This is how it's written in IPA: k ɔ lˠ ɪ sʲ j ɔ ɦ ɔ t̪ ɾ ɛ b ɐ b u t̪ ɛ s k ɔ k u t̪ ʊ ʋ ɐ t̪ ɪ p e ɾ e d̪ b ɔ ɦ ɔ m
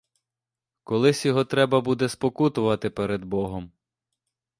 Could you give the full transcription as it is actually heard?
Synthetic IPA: k ɔ lˠ ɪ sʲ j ɔ ɦ ɔ t̪ ɾ ɛ b ɐ b u d̪ ɛ s p ɔ k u t̪ ʊ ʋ ɐ t̪ ɪ p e ɾ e d̪ b ɔ ɦ ɔ m